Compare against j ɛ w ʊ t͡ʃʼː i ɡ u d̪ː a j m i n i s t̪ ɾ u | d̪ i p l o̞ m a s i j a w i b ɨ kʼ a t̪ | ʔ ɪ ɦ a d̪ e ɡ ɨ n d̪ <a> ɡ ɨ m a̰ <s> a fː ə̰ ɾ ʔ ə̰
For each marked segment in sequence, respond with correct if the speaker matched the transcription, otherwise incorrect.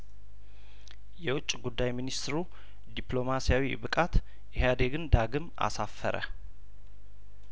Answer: correct, correct

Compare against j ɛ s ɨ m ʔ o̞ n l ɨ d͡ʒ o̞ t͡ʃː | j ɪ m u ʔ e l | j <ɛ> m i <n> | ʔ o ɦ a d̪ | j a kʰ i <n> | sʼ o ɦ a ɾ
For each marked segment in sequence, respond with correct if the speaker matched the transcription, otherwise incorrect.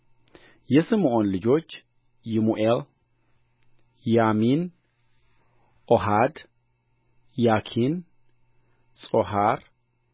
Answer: incorrect, correct, correct

